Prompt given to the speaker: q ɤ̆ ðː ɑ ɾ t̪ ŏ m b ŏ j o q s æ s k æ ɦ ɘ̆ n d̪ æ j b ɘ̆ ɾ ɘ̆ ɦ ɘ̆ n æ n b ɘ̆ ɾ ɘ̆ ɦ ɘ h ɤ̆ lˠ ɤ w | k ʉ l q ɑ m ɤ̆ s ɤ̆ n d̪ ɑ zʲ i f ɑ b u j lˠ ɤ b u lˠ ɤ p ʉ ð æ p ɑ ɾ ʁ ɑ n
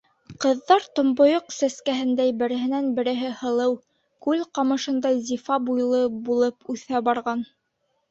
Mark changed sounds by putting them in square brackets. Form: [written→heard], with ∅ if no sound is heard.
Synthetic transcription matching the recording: q ɤ̆ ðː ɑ ɾ t̪ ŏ m b ŏ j o q s æ s k æ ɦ ɘ̆ n d̪ æ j b ɘ̆ ɾ ɘ̆ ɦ ɘ̆ n æ n b ɘ̆ ɾ ɘ̆ ɦ ɘ h ɤ̆ lˠ ɤ w | k ʉ l q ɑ m ɤ̆ [s→ʃ] ɤ̆ n d̪ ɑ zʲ i f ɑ b u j lˠ ɤ b u lˠ ɤ p ʉ [ð→θ] æ [p→b] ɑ ɾ ʁ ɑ n

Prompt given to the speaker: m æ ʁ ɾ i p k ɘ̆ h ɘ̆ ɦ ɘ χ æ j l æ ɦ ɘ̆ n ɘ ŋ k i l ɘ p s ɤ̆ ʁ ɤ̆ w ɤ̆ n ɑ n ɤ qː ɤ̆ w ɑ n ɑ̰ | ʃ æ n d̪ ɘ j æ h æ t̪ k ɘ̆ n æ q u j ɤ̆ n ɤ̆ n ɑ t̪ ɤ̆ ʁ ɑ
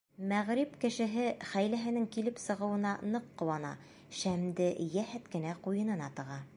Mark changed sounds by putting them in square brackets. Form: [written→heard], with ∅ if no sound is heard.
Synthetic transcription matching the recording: m æ ʁ ɾ i p k ɘ̆ [h→ʃ] ɘ̆ ɦ ɘ χ æ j l æ ɦ ɘ̆ n ɘ ŋ k i l ɘ p s ɤ̆ ʁ ɤ̆ w ɤ̆ n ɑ n ɤ qː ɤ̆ w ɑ n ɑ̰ | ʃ æ [n→m] d̪ ɘ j æ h æ t̪ k ɘ̆ n æ q u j ɤ̆ n ɤ̆ n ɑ t̪ ɤ̆ ʁ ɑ

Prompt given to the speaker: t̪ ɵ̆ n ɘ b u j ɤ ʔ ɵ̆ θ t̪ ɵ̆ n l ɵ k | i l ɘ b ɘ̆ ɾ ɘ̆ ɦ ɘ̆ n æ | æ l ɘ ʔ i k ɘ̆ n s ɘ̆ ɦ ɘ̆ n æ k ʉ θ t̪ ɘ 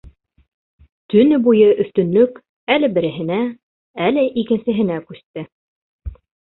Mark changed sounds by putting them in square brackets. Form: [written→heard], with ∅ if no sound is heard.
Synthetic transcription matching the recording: t̪ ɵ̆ n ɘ b u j ɤ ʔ ɵ̆ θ t̪ ɵ̆ n l ɵ k | [i→æ] l ɘ b ɘ̆ ɾ ɘ̆ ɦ ɘ̆ n æ | æ l ɘ ʔ i k ɘ̆ n s ɘ̆ ɦ ɘ̆ n æ k ʉ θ t̪ ɘ

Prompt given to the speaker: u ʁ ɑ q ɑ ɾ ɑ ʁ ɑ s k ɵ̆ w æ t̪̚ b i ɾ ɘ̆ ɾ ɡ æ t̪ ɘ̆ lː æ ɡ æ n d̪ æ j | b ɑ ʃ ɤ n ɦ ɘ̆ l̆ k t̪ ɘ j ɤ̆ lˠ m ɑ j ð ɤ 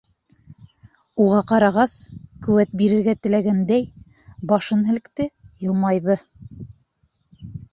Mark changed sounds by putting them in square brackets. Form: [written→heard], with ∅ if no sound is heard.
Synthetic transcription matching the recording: u ʁ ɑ q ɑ ɾ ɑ ʁ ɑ s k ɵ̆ w æ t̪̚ b i ɾ ɘ̆ ɾ ɡ æ t̪ ɘ̆ [lː→l] æ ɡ æ n d̪ æ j | b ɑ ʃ ɤ n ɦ ɘ̆ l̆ k t̪ ɘ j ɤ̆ lˠ m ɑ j ð ɤ

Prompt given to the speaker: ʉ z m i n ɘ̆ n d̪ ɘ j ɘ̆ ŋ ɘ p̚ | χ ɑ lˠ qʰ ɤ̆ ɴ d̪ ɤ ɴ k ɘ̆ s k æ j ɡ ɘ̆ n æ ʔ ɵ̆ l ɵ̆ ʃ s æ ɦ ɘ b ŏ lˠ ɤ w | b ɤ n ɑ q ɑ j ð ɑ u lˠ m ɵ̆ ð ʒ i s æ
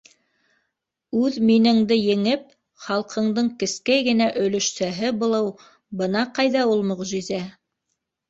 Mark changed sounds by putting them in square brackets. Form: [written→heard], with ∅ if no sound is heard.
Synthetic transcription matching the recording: ʉ [z→ð] m i n ɘ̆ [n→ŋ] d̪ ɘ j ɘ̆ ŋ ɘ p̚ | χ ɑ lˠ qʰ ɤ̆ ɴ d̪ ɤ ɴ k ɘ̆ s k æ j ɡ ɘ̆ n æ ʔ ɵ̆ l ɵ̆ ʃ s æ ɦ ɘ b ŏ lˠ ɤ w | b ɤ n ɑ q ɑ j ð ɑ u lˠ m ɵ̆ [ð→ʁ] ʒ i [s→z] æ

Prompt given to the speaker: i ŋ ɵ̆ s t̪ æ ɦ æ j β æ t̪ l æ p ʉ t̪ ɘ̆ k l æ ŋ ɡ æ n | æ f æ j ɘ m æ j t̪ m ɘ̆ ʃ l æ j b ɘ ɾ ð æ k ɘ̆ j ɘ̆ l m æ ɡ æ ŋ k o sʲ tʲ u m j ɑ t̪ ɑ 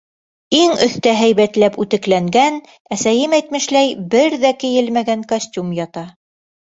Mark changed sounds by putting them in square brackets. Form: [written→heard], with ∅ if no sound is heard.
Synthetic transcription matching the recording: i ŋ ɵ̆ [s→θ] t̪ æ ɦ æ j β æ t̪ l æ p ʉ t̪ ɘ̆ k l æ ŋ ɡ æ n | æ [f→s] æ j ɘ m æ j t̪ m ɘ̆ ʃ l æ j b ɘ ɾ ð æ k ɘ̆ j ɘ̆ l m æ ɡ æ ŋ k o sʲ tʲ u m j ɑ t̪ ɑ

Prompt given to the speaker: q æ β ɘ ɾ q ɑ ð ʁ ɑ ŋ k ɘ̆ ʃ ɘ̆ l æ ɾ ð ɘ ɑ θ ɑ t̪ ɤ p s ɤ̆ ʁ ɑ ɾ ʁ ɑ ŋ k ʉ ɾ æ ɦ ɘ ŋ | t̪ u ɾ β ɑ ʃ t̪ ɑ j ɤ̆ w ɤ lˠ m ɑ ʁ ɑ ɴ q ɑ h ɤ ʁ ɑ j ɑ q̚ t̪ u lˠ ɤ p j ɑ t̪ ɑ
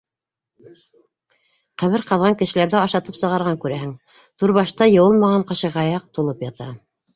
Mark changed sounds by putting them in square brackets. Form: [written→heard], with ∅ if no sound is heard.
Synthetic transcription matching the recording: q æ β ɘ ɾ q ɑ ð ʁ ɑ ŋ k ɘ̆ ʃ ɘ̆ l æ ɾ ð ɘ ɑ [θ→ʃ] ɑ t̪ ɤ p s ɤ̆ ʁ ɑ ɾ ʁ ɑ ŋ k ʉ ɾ æ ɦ ɘ ŋ | t̪ u ɾ β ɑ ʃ t̪ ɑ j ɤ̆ w ɤ lˠ m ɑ ʁ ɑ ɴ q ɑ [h→ʃ] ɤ ʁ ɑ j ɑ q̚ t̪ u lˠ ɤ p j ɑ t̪ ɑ

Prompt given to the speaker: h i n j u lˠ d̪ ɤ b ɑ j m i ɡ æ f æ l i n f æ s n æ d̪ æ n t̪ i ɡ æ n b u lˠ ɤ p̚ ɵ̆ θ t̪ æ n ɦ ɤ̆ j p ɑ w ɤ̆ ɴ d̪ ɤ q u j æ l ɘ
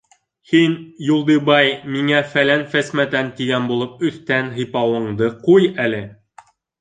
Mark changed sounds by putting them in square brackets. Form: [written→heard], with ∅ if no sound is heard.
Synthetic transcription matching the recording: h i n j u lˠ d̪ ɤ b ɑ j m i [ɡ→ŋ] æ f æ l [i→æ] n f æ s [n→m] æ [d̪→t̪] æ n t̪ i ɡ æ n b u lˠ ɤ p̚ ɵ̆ θ t̪ æ n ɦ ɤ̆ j p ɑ w ɤ̆ ɴ d̪ ɤ q u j æ l ɘ

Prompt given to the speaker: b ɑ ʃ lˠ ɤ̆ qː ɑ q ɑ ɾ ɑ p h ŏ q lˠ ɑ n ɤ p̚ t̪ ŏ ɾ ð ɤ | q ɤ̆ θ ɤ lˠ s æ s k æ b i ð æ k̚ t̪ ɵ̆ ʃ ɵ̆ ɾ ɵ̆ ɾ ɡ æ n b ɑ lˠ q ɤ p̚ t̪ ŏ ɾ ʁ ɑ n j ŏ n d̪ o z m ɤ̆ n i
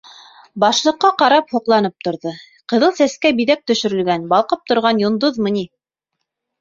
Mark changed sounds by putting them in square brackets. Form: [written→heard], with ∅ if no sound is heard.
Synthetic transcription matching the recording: b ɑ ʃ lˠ ɤ̆ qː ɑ q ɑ ɾ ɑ p h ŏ q lˠ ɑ n ɤ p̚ t̪ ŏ ɾ ð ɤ | q ɤ̆ [θ→ð] ɤ lˠ s æ s k æ b i ð æ k̚ t̪ ɵ̆ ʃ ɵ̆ ɾ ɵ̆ [ɾ→l] ɡ æ n b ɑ lˠ q ɤ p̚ t̪ ŏ ɾ ʁ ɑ n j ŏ n d̪ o [z→ð] m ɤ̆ n i

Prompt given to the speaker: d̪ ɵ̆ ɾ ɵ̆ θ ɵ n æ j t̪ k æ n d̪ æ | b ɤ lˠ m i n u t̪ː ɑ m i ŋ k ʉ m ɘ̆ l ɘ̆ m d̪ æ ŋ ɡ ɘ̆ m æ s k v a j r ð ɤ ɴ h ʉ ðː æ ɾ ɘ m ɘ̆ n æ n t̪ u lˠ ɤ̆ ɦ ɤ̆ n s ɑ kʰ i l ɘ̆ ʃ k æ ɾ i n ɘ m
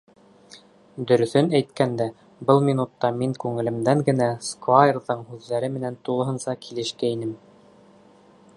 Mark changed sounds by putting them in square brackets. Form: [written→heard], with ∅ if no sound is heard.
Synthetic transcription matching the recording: d̪ ɵ̆ ɾ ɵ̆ θ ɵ n æ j t̪ k æ n d̪ æ | b ɤ lˠ m i n u t̪ː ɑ m i ŋ k ʉ [m→ŋ] ɘ̆ l ɘ̆ m d̪ æ ŋ ɡ ɘ̆ [m→n] æ s k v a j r ð ɤ ɴ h ʉ ðː æ ɾ ɘ m ɘ̆ n æ n t̪ u lˠ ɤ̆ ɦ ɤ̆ n s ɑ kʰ i l ɘ̆ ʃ k æ [ɾ→∅] i n ɘ m

